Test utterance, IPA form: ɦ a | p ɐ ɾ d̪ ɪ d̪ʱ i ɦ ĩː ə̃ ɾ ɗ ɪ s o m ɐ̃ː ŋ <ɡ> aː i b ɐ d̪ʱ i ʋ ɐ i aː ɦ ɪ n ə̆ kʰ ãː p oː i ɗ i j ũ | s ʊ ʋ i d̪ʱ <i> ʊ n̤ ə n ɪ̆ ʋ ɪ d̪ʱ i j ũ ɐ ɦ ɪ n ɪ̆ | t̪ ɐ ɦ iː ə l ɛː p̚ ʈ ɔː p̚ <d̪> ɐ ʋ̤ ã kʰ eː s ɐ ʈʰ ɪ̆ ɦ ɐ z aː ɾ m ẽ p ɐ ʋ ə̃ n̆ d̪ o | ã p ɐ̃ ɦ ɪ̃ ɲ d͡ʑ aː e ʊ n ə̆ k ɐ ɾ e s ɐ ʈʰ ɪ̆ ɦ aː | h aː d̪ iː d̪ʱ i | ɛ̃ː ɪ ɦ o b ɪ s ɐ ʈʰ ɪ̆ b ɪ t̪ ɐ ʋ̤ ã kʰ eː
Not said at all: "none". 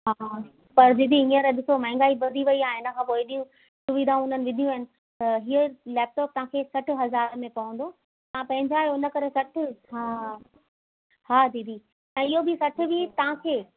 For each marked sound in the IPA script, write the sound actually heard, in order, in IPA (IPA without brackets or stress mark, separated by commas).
ɡ, a, t̪